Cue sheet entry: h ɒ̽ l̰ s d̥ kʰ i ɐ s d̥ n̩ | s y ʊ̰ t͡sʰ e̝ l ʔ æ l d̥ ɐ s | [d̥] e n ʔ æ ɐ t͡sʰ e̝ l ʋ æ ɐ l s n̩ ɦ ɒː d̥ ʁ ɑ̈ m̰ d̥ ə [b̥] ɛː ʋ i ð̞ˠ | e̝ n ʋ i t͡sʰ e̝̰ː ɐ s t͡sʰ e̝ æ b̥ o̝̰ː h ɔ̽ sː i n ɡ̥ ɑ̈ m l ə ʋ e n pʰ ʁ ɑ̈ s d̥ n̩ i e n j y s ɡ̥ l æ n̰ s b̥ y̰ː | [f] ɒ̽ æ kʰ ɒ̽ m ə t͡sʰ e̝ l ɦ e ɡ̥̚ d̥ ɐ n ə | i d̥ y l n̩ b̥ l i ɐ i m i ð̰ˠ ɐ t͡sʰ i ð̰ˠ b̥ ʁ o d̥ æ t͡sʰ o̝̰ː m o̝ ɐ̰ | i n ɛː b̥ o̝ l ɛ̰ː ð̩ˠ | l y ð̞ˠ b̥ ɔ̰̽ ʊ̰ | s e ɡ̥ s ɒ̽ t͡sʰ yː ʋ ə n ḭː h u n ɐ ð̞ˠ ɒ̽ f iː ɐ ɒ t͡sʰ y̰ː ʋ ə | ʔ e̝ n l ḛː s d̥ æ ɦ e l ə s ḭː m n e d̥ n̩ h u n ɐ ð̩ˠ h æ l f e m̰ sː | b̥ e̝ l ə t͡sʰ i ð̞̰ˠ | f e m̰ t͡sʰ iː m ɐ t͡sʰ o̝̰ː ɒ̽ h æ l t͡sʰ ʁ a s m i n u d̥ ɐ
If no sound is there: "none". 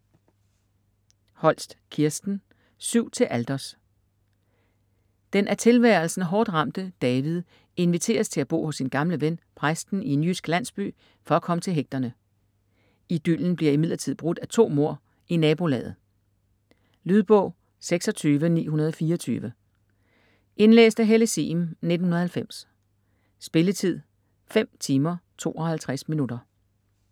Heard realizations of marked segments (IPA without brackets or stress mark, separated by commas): d̥, d̥, f